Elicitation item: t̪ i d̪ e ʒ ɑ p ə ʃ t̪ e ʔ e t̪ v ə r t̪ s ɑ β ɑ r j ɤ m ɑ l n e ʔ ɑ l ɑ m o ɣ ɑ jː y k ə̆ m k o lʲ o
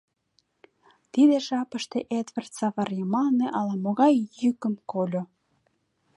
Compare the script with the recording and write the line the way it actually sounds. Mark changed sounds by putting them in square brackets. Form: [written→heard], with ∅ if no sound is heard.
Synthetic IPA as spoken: t̪ i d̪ e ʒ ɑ p ə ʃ t̪ e ʔ e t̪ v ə r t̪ s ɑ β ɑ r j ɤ m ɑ l n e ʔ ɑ l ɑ m o ɣ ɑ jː y k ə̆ m k o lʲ o